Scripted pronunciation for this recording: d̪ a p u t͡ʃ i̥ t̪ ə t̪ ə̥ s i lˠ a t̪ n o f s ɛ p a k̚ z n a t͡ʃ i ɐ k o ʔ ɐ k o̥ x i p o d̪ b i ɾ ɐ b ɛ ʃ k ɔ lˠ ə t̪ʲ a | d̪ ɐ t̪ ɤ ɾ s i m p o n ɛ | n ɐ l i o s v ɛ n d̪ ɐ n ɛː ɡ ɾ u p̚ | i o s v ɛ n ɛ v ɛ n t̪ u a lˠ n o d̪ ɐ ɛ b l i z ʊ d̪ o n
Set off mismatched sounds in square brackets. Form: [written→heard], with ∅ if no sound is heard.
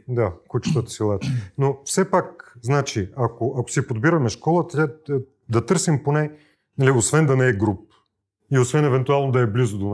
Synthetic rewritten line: d̪ a [p→k] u t͡ʃ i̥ t̪ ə t̪ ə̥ s i lˠ a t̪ n o f s ɛ p a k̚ z n a t͡ʃ i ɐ k o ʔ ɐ k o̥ [x→s] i p o d̪ b i ɾ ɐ [b→m] ɛ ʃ k ɔ lˠ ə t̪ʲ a | d̪ ɐ t̪ ɤ ɾ s i m p o n ɛ | n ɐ l i o s v ɛ n d̪ ɐ n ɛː ɡ ɾ u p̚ | i o s v ɛ n ɛ v ɛ n t̪ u a lˠ n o d̪ ɐ ɛ b l i z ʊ d̪ o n